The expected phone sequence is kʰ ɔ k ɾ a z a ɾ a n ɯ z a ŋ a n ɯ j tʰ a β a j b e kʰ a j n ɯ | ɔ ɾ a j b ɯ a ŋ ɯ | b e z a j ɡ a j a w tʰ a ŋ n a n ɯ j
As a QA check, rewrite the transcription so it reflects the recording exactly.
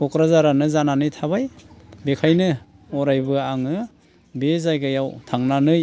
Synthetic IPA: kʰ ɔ k ɾ a z a ɾ a n ɯ z a n a n ɯ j tʰ a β a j b e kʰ a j n ɯ | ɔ ɾ a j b ɯ a ŋ ɯ | b e z a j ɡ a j a w tʰ a ŋ n a n ɯ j